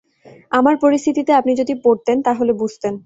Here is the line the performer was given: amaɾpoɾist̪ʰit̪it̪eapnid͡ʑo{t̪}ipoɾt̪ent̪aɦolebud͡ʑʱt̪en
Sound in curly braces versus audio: incorrect: d̪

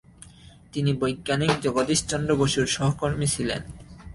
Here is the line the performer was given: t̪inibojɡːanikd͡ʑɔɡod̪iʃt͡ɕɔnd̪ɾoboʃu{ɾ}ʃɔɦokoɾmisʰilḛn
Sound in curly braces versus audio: correct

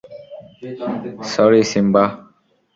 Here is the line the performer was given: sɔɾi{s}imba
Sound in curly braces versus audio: correct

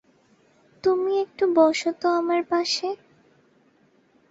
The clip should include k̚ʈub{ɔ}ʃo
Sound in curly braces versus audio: correct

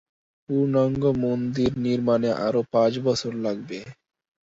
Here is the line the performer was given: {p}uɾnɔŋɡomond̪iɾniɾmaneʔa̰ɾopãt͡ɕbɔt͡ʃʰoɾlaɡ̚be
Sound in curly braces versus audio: correct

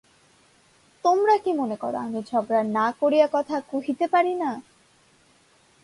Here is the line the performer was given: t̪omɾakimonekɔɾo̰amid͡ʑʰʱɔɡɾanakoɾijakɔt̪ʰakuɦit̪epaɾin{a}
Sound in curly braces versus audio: correct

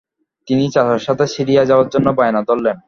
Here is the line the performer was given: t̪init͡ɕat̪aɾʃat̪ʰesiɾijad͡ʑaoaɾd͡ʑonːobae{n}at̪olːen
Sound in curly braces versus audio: correct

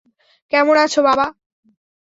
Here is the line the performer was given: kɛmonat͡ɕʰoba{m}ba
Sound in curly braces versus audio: incorrect: none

